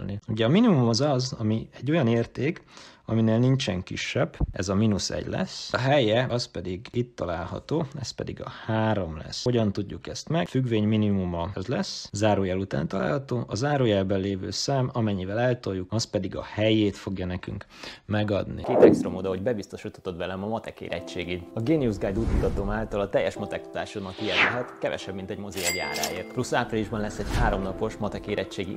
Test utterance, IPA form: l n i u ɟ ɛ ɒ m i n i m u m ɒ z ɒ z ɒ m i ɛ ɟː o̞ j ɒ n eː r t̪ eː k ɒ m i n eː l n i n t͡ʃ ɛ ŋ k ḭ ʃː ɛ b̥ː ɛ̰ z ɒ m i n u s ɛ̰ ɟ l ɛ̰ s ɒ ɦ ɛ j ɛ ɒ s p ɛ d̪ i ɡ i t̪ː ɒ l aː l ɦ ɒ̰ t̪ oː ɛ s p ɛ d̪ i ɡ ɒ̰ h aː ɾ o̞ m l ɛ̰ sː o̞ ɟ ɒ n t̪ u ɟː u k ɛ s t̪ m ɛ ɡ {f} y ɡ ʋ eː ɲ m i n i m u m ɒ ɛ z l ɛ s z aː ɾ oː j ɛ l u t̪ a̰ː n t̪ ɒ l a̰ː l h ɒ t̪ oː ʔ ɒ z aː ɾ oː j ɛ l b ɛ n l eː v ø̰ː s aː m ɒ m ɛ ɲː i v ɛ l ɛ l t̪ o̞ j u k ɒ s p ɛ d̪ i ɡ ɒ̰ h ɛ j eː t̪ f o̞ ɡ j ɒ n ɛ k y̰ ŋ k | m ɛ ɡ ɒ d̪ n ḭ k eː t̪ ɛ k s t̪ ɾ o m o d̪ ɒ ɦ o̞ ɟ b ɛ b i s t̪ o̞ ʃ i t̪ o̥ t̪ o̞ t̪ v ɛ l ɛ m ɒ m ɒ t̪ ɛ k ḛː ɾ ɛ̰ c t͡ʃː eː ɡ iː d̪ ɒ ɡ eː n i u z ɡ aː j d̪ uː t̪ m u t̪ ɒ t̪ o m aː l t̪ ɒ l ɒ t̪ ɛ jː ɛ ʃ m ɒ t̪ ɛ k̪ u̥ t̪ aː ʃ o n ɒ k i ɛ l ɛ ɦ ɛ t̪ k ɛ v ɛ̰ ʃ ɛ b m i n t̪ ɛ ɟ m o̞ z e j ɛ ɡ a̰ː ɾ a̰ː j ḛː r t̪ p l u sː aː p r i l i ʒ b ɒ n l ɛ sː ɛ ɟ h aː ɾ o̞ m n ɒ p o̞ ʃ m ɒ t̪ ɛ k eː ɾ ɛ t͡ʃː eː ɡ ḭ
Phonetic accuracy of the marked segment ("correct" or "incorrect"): correct